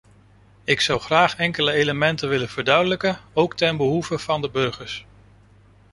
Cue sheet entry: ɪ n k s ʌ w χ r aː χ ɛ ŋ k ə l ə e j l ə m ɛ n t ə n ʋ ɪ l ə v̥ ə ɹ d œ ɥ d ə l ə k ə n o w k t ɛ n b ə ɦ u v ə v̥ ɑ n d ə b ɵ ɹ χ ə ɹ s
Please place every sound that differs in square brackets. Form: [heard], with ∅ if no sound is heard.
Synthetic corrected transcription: ɪ [∅] k s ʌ w χ r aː χ ɛ ŋ k ə l ə e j l ə m ɛ n t ə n ʋ ɪ l ə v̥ ə ɹ d œ ɥ d ə l ə k ə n o w k t ɛ n b ə ɦ u v ə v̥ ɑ n d ə b ɵ ɹ χ ə ɹ s